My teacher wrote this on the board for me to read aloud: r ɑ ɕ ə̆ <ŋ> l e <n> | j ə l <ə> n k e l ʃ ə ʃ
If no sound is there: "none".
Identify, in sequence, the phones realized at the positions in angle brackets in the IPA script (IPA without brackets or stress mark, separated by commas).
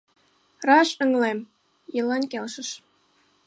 ŋ, m, ɑ